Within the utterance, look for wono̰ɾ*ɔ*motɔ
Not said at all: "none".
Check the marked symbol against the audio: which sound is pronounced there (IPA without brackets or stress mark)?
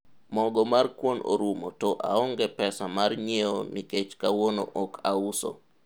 u